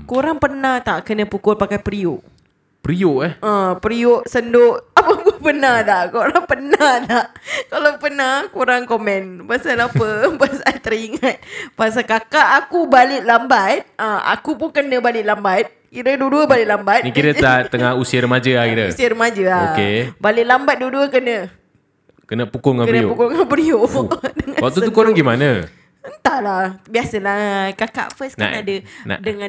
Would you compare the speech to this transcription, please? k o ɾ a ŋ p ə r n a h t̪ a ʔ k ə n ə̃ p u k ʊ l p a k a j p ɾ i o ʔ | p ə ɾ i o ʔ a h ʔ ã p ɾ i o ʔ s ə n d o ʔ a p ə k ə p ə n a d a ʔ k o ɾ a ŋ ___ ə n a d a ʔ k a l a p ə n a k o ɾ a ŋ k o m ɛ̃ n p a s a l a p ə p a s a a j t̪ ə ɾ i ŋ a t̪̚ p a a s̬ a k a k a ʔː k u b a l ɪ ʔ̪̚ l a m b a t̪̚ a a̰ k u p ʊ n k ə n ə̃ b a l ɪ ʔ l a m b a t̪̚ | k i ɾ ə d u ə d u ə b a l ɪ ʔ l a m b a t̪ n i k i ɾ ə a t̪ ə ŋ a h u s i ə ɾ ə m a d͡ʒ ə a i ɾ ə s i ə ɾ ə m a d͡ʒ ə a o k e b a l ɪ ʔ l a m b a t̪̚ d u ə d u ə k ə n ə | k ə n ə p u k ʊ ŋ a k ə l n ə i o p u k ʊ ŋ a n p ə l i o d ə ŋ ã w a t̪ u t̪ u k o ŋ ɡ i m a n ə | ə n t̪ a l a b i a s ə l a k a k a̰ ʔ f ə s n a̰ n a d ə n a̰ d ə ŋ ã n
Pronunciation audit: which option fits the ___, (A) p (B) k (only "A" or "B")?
A